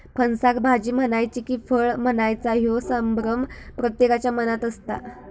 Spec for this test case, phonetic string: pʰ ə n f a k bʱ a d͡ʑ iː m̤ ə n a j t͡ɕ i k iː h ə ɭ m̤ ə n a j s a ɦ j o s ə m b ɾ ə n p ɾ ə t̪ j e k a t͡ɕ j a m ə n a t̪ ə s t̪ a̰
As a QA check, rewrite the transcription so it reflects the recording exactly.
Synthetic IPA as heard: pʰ ə n s a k bʱ a d͡ʑ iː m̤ ə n a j t͡ɕ i k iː f ə ɭ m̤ ə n a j t͡s a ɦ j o s ə m b ɾ ə m p ɾ ə t̪ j e k a t͡ɕ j a m ə n a t̪ ə s t̪ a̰